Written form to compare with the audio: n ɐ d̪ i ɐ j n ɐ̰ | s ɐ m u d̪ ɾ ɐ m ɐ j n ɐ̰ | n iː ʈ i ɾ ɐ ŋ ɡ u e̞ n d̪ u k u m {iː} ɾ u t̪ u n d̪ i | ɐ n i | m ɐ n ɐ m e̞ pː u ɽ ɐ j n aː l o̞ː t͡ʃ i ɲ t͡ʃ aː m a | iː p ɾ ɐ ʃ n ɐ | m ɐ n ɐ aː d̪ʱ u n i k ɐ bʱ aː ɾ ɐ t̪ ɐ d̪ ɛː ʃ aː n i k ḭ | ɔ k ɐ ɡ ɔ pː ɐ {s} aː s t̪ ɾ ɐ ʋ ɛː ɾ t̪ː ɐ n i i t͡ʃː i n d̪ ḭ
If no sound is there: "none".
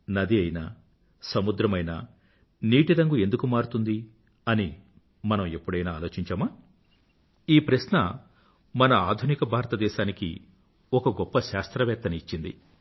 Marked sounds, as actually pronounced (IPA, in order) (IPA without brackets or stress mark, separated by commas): aː, ʃ